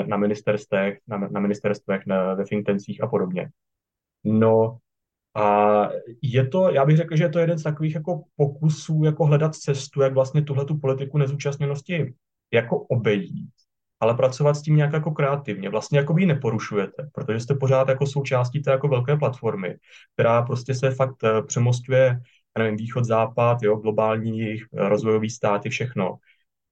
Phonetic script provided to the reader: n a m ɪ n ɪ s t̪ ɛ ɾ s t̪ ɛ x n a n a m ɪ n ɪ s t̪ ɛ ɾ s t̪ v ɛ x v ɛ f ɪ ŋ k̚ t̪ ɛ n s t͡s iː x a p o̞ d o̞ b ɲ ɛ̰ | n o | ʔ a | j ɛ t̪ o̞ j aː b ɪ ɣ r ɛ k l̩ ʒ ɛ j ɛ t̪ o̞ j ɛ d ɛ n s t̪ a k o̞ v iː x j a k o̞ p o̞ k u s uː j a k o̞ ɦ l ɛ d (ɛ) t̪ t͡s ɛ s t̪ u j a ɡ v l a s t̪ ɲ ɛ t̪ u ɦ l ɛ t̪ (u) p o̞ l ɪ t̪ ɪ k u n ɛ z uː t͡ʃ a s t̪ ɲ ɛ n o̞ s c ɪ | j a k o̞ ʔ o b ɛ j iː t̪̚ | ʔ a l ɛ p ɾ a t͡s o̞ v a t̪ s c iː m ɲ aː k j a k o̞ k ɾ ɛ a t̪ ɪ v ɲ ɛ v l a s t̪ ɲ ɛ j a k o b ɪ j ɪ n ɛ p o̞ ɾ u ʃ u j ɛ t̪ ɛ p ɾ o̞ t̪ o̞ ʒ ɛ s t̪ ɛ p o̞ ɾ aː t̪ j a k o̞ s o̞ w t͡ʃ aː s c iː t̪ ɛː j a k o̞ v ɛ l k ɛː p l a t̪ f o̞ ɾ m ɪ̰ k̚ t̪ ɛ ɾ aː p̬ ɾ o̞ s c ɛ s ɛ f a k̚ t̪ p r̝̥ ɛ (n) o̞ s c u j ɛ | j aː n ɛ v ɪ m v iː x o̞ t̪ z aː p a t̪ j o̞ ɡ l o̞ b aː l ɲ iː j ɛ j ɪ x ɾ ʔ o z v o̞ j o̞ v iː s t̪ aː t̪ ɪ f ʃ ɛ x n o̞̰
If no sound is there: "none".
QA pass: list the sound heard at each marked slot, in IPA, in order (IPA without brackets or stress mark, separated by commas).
a, u, m